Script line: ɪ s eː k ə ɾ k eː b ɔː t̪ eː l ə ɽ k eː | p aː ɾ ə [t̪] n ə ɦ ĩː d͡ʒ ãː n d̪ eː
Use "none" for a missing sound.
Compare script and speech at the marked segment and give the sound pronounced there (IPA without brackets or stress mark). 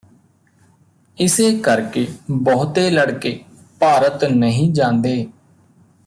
t̪